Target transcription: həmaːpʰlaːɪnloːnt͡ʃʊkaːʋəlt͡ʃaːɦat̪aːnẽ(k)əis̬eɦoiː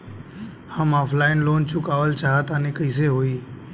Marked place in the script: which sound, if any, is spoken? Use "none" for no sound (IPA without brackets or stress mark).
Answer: k